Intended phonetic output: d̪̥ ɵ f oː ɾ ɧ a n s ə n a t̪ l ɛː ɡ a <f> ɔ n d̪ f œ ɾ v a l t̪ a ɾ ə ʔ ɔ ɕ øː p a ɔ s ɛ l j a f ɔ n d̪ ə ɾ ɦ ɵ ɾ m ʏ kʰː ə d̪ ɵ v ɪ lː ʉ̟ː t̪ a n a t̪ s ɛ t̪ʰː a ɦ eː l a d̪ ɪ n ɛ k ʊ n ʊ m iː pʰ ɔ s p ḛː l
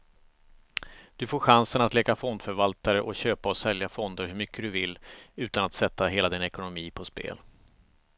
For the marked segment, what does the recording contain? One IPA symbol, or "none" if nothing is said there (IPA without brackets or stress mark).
f